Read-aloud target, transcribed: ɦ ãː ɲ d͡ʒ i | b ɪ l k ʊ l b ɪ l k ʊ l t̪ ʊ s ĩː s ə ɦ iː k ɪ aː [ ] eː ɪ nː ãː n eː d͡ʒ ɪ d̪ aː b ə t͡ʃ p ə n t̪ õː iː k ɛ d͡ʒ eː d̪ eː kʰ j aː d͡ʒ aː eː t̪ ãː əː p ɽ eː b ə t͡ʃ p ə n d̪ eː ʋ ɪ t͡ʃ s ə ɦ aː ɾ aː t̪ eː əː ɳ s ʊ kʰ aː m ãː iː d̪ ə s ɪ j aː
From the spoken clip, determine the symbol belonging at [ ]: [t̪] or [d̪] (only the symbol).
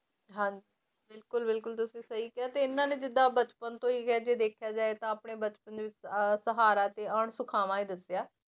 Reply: t̪